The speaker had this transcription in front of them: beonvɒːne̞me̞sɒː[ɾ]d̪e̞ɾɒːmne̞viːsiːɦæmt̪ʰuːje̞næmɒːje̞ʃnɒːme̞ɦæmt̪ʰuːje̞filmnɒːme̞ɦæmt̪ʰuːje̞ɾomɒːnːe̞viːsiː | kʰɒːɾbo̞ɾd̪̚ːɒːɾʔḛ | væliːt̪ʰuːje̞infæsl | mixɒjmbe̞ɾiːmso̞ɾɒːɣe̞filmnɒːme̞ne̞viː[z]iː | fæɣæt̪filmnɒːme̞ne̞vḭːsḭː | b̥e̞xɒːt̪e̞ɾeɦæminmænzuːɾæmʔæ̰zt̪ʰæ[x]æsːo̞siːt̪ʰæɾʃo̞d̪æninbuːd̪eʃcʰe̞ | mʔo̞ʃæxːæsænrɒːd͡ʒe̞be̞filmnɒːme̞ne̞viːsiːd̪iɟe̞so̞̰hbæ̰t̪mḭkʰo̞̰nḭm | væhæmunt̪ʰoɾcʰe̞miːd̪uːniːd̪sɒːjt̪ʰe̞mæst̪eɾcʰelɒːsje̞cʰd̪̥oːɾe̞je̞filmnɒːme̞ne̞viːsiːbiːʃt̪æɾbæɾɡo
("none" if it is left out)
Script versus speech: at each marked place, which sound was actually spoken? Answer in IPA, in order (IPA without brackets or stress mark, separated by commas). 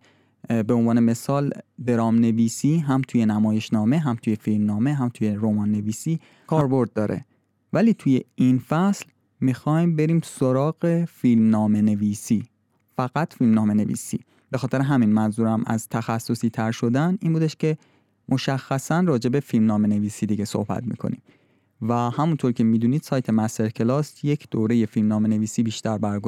l, s, x